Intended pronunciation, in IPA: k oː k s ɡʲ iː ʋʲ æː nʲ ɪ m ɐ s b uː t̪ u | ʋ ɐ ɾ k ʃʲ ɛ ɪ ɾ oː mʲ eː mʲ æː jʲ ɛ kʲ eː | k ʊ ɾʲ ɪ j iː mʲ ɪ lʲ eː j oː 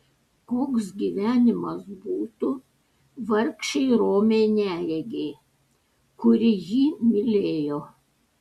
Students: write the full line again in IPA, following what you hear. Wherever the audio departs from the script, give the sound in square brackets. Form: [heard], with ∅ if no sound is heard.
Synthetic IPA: k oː k s ɡʲ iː ʋʲ æː nʲ ɪ m ɐ s b uː t̪ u | ʋ ɐ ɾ k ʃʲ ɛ ɪ ɾ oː mʲ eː [nʲ] æː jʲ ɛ [ɡʲ] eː | k ʊ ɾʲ ɪ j iː mʲ ɪ lʲ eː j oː

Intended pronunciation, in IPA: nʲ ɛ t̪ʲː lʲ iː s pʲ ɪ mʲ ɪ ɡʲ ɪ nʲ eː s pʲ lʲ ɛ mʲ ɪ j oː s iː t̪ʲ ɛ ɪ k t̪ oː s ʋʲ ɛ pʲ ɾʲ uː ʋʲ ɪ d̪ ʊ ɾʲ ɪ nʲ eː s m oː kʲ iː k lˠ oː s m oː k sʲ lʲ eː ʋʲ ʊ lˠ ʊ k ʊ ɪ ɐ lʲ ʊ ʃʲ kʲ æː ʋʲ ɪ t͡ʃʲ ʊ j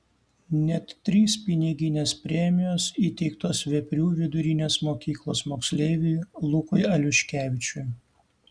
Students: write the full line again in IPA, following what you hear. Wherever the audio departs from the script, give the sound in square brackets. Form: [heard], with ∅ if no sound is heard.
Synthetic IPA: nʲ ɛ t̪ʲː [ɾʲ] iː s pʲ ɪ [nʲ] ɪ ɡʲ ɪ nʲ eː s pʲ [ɾʲ] ɛ mʲ ɪ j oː s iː t̪ʲ ɛ ɪ k t̪ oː s ʋʲ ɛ pʲ ɾʲ uː ʋʲ ɪ d̪ ʊ ɾʲ ɪ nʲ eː s m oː kʲ iː k lˠ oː s m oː k sʲ lʲ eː ʋʲ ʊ lˠ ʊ k ʊ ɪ ɐ lʲ ʊ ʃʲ kʲ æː ʋʲ ɪ t͡ʃʲ ʊ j

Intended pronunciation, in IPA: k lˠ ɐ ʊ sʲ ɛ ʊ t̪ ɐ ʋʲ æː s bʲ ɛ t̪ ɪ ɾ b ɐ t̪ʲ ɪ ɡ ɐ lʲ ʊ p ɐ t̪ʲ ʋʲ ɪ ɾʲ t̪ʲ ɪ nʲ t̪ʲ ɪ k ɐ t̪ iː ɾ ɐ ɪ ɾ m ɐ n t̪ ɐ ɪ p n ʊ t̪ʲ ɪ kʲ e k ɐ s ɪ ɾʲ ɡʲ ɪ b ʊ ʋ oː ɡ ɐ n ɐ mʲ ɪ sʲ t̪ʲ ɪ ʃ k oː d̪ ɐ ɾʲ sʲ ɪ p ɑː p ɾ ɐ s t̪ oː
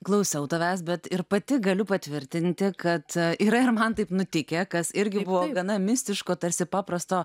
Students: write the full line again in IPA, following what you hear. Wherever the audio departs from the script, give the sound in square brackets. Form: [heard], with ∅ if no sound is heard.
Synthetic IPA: k lˠ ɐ ʊ sʲ ɛ ʊ t̪ ɐ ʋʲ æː s bʲ ɛ t̪ ɪ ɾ [p] ɐ t̪ʲ ɪ ɡ ɐ lʲ ʊ p ɐ t̪ʲ ʋʲ ɪ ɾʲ t̪ʲ ɪ nʲ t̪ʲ ɪ k ɐ t̪ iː ɾ ɐ ɪ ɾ m ɐ n t̪ ɐ ɪ p n ʊ t̪ʲ ɪ kʲ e k ɐ s ɪ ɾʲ ɡʲ ɪ b ʊ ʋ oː ɡ ɐ n ɐ mʲ ɪ sʲ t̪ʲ ɪ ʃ k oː [t̪] ɐ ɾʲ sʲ ɪ p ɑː p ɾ ɐ s t̪ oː

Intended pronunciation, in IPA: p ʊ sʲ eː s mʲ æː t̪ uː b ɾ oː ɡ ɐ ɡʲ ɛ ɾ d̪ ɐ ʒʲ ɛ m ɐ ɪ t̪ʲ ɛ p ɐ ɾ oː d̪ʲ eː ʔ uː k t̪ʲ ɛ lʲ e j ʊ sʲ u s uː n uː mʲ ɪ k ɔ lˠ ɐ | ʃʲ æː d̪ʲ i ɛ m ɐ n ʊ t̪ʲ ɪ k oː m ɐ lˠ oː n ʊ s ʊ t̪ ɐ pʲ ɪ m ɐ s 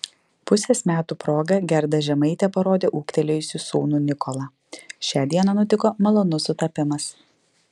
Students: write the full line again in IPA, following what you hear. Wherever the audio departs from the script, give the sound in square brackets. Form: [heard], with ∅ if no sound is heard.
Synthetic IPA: p ʊ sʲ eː s mʲ æː t̪ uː [p] ɾ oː ɡ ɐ ɡʲ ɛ ɾ d̪ ɐ ʒʲ ɛ m ɐ ɪ t̪ʲ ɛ p ɐ ɾ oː d̪ʲ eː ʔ uː k t̪ʲ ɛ lʲ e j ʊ sʲ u s uː n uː [nʲ] ɪ k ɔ lˠ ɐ | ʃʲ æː d̪ʲ i ɛ [n] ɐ n ʊ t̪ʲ ɪ k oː m ɐ lˠ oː n ʊ s ʊ t̪ ɐ pʲ ɪ m ɐ s

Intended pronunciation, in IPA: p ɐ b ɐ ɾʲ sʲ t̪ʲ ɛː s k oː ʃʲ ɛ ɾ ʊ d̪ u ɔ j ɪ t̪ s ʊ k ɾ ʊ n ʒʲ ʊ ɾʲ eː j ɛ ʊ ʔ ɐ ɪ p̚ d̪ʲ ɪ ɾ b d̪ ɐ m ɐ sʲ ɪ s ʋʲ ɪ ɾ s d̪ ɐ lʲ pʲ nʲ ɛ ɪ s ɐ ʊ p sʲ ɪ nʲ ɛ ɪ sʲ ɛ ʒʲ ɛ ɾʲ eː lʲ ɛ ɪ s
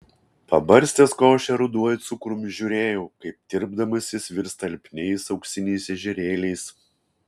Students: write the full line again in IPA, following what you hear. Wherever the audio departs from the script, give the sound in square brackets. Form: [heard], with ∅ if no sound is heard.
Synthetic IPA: p ɐ b ɐ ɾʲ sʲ t̪ʲ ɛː s k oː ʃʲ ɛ ɾ ʊ d̪ u ɔ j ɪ t̪ s ʊ k ɾ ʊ [m] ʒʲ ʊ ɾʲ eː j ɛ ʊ [k] ɐ ɪ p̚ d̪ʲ ɪ ɾ b d̪ ɐ m ɐ sʲ ɪ s ʋʲ ɪ ɾ s [t̪] ɐ lʲ pʲ nʲ ɛ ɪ s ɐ ʊ [k] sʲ ɪ nʲ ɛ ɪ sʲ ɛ ʒʲ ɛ ɾʲ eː lʲ ɛ ɪ s

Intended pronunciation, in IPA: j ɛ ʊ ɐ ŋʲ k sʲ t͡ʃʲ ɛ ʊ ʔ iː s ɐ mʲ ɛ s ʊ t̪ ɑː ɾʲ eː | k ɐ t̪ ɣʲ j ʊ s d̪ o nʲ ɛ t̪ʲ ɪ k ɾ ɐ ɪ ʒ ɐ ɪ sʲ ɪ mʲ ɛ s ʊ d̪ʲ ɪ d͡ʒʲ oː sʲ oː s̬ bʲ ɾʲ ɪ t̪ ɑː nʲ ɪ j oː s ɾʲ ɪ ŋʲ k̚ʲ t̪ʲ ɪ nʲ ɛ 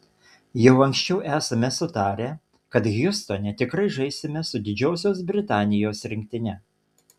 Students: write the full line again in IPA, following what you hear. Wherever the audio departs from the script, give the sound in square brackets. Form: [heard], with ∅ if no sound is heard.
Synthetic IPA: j ɛ ʊ ɐ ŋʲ k sʲ t͡ʃʲ ɛ ʊ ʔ [æː] s ɐ mʲ ɛ s ʊ t̪ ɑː ɾʲ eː | k ɐ t̪ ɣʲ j ʊ s [t̪] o nʲ ɛ t̪ʲ ɪ k ɾ ɐ ɪ ʒ ɐ ɪ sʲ ɪ mʲ ɛ s ʊ d̪ʲ ɪ d͡ʒʲ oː sʲ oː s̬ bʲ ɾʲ ɪ t̪ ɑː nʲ ɪ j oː s ɾʲ ɪ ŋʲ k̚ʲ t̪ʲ ɪ nʲ ɛ

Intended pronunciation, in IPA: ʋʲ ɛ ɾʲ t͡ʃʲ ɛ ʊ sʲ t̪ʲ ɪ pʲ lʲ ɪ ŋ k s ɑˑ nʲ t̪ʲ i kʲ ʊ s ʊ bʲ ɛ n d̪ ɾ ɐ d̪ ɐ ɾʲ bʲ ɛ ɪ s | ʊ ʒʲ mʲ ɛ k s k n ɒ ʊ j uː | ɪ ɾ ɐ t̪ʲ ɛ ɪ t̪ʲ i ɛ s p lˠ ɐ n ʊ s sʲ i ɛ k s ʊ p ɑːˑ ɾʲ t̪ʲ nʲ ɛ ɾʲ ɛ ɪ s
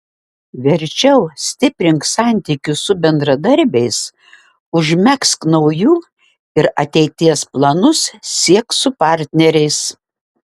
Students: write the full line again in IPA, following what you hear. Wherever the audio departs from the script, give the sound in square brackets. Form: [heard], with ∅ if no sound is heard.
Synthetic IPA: ʋʲ ɛ ɾʲ t͡ʃʲ ɛ ʊ sʲ t̪ʲ ɪ pʲ [ɾʲ] ɪ ŋ k s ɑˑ nʲ t̪ʲ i kʲ ʊ s ʊ bʲ ɛ n d̪ ɾ ɐ d̪ ɐ ɾʲ bʲ ɛ ɪ s | ʊ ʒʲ mʲ ɛ k s k n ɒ ʊ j uː | ɪ ɾ ɐ t̪ʲ ɛ ɪ t̪ʲ i ɛ s p lˠ ɐ n ʊ s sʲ i ɛ k s ʊ p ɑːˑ ɾʲ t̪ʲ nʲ ɛ ɾʲ ɛ ɪ s

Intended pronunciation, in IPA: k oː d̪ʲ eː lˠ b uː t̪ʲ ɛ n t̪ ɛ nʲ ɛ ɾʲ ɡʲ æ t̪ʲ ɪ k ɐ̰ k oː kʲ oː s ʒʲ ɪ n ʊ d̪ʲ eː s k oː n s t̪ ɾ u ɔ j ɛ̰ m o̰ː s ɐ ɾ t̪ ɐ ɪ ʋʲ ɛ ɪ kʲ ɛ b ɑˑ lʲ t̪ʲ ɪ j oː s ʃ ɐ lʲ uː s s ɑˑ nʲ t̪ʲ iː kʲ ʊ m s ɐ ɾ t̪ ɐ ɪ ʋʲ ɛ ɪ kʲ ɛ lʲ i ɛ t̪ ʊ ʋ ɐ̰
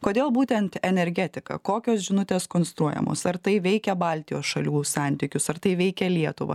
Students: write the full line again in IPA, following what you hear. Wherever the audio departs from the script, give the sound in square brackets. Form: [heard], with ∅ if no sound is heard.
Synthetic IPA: k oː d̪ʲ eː lˠ b uː t̪ʲ ɛ n t̪ ɛ nʲ ɛ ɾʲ ɡʲ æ t̪ʲ ɪ k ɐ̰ k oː kʲ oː s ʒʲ ɪ n ʊ [t̪ʲ] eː s k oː n s t̪ ɾ u ɔ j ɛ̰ m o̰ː s ɐ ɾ t̪ ɐ ɪ ʋʲ ɛ ɪ kʲ ɛ b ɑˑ lʲ t̪ʲ ɪ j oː s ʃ ɐ lʲ uː s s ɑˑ nʲ t̪ʲ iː kʲ ʊ [∅] s ɐ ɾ t̪ ɐ ɪ ʋʲ ɛ ɪ kʲ ɛ lʲ i ɛ t̪ ʊ ʋ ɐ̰

